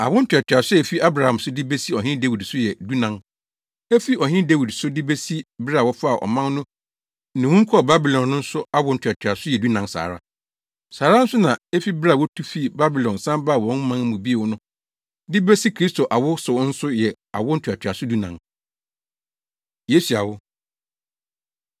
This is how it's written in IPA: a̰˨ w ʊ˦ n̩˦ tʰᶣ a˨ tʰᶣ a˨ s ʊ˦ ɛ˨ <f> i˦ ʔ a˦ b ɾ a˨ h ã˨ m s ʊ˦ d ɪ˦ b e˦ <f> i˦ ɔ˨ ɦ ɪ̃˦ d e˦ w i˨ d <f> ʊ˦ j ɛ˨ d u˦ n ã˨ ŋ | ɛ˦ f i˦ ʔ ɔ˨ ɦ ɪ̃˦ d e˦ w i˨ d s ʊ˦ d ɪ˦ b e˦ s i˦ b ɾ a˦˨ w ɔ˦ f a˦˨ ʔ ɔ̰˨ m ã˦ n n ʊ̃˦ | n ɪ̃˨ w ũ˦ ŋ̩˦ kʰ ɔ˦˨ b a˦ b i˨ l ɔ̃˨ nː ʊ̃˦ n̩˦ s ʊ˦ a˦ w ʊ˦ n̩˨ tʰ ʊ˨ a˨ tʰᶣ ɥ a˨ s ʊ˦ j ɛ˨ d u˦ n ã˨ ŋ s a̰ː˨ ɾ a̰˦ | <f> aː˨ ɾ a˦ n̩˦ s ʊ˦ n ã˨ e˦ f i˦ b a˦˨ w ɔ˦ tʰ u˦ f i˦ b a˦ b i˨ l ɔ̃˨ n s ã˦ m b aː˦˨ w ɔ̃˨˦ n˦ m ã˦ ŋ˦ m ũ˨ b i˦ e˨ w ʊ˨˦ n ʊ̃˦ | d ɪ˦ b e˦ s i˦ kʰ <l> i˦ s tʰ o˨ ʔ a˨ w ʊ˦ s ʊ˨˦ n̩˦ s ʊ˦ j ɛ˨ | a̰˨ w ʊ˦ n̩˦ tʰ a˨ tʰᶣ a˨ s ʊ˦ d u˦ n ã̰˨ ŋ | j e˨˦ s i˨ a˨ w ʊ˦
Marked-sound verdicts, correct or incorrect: correct, incorrect: s, incorrect: s, incorrect: s, incorrect: ɾ

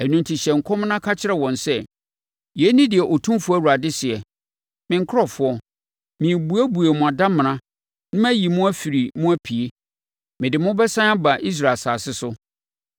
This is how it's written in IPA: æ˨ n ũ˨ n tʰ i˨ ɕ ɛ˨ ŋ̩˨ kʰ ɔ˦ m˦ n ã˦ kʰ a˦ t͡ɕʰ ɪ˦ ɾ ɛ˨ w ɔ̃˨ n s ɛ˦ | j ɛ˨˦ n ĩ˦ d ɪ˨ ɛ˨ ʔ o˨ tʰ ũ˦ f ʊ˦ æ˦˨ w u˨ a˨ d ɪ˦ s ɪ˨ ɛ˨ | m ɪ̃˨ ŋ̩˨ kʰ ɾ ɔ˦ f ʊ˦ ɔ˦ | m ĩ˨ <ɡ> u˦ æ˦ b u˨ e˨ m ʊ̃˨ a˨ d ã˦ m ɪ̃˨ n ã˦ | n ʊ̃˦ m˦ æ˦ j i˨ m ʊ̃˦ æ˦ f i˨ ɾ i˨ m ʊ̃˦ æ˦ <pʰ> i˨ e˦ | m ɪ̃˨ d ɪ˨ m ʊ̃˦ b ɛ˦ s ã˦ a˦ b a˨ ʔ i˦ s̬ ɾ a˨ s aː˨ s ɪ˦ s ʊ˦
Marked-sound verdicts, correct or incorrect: incorrect: b, correct

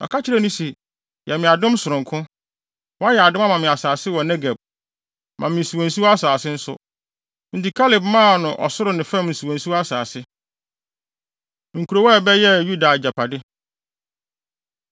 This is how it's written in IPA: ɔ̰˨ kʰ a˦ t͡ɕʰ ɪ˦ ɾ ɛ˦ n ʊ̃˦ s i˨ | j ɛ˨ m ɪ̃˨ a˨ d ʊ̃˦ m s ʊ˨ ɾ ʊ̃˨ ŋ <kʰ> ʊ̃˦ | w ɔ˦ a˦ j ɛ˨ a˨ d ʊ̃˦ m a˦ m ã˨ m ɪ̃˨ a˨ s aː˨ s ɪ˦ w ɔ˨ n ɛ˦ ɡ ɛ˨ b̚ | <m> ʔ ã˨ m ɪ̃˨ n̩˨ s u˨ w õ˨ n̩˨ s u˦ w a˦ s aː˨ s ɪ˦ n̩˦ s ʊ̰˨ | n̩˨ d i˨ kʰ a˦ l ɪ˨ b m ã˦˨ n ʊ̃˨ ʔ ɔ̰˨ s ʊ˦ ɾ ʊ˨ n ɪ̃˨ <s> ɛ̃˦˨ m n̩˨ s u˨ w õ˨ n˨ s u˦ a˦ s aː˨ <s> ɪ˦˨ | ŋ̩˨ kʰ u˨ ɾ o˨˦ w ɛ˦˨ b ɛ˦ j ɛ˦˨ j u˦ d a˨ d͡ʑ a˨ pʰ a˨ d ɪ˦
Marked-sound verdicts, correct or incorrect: correct, correct, incorrect: f, correct

